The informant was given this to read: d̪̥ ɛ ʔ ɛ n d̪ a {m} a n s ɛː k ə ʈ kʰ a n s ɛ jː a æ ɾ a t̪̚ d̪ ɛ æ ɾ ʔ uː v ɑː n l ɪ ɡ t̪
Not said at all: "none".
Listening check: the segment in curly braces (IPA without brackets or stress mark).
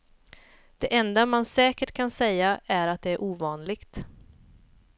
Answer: m